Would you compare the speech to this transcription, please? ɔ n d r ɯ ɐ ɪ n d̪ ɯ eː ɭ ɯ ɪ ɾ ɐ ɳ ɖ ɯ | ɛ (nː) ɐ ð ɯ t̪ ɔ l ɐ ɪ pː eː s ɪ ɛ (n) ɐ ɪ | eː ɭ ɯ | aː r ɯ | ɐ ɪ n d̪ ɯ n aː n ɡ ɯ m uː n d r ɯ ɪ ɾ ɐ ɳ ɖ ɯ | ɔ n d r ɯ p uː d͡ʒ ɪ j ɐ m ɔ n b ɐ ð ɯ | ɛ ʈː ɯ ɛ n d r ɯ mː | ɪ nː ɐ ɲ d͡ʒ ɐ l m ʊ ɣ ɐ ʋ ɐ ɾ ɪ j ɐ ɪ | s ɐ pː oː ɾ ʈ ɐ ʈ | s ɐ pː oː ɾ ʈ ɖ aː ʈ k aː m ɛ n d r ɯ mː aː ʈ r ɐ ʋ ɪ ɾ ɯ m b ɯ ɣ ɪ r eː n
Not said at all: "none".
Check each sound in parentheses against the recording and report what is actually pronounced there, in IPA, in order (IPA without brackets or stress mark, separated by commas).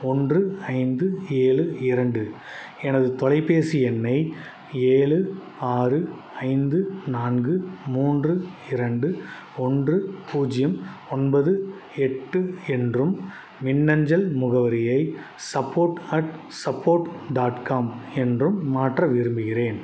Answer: n, nː